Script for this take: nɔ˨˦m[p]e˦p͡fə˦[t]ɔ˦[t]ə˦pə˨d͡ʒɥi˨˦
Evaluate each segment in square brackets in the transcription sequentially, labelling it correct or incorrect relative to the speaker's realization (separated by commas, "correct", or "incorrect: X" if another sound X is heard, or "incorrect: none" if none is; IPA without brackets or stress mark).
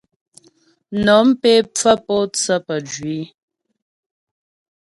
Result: correct, incorrect: p, incorrect: t͡s